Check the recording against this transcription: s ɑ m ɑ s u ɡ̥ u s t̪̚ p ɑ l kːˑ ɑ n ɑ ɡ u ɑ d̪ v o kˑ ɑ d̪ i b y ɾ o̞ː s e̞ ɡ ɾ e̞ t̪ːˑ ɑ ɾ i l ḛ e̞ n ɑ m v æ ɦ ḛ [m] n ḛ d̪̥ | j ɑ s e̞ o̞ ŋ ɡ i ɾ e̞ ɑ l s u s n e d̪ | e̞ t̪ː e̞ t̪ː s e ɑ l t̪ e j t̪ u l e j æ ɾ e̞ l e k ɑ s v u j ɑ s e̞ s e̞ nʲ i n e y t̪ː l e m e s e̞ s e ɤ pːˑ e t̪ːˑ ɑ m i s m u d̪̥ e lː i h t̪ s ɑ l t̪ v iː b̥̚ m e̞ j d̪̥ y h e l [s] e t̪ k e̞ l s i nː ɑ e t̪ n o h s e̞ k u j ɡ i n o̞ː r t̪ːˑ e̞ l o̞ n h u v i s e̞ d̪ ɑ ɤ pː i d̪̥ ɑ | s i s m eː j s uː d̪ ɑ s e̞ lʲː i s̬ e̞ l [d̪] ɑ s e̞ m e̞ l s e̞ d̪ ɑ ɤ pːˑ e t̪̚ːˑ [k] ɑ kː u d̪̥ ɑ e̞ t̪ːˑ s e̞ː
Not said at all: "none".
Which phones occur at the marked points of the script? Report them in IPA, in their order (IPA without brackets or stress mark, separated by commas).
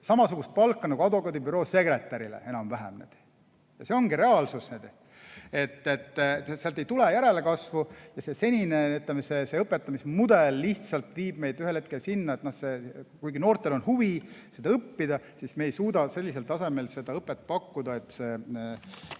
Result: m, h, t̪, p